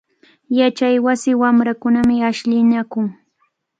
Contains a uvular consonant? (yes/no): no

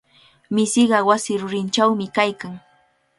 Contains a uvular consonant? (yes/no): yes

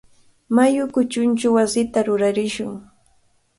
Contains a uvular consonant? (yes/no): no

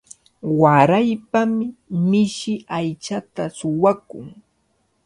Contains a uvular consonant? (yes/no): no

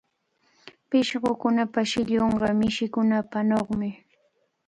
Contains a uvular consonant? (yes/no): yes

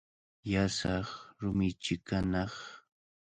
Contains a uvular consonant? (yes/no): yes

